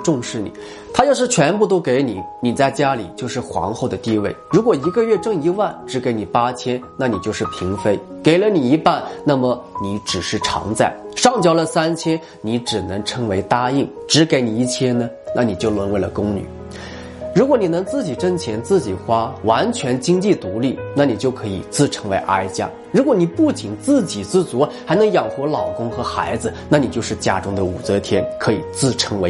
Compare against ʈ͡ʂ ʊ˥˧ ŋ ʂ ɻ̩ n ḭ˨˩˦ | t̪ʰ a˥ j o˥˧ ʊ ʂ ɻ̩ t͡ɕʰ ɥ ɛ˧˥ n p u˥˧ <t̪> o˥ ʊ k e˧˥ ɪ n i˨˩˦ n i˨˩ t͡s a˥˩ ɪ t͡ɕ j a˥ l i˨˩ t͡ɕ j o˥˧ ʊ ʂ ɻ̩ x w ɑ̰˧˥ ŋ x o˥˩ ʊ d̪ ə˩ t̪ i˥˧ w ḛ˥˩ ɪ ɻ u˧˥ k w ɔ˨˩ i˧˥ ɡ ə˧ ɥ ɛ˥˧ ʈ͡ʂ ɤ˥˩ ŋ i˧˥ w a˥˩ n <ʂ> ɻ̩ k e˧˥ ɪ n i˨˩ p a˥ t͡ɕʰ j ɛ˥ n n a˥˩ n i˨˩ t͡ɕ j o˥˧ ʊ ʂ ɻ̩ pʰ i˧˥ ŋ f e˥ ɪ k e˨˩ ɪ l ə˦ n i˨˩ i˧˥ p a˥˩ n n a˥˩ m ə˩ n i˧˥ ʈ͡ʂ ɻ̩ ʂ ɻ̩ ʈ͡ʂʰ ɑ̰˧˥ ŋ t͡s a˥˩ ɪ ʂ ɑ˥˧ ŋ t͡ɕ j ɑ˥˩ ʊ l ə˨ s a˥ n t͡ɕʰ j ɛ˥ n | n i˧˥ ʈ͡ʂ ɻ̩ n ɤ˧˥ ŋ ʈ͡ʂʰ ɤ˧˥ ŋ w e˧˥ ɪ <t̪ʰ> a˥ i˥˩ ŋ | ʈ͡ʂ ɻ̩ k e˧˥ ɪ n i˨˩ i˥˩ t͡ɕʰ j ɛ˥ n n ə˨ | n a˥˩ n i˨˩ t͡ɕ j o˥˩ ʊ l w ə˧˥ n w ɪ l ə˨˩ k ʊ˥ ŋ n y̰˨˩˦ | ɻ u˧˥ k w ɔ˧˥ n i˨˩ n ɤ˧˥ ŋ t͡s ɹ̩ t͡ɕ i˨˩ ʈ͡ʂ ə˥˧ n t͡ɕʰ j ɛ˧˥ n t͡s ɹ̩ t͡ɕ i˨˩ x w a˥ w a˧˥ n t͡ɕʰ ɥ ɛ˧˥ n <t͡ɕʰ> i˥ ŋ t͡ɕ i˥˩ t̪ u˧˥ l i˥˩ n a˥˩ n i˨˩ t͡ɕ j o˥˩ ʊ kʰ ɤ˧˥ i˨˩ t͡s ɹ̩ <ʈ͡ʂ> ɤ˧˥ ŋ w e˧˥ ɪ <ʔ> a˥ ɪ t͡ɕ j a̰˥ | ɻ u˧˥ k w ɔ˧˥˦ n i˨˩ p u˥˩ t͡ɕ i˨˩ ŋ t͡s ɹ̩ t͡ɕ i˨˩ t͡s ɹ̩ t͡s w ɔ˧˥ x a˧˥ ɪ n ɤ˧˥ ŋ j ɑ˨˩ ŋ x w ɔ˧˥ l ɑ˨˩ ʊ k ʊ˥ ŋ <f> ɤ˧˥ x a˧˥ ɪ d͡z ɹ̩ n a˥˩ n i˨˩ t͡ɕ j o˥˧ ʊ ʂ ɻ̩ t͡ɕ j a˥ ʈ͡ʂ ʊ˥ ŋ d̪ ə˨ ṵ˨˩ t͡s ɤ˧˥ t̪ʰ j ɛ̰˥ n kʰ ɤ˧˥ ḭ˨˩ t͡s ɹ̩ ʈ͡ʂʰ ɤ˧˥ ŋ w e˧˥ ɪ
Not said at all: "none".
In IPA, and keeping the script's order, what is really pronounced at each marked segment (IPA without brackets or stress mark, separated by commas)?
t̪, ʈ͡ʂ, t̪, t͡ɕ, ʈ͡ʂʰ, ʔ, x